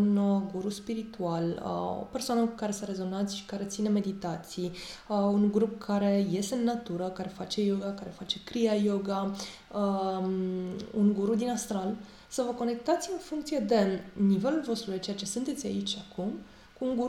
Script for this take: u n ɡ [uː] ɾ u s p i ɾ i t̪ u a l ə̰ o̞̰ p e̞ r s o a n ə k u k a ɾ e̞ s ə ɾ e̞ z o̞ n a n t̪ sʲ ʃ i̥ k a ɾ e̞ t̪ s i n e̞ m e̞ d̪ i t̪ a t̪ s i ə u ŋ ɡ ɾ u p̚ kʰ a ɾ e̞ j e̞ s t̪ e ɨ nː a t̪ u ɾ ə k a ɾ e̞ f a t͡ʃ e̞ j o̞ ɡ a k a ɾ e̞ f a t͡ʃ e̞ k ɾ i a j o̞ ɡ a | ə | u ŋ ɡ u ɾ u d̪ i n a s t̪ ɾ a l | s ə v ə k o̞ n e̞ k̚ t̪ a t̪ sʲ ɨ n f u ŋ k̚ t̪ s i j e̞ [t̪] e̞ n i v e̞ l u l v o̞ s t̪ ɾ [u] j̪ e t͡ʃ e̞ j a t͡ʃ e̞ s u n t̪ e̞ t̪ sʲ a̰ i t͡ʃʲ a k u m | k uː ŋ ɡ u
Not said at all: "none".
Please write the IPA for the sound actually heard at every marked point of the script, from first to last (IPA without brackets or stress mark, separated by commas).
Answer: u, d̪, u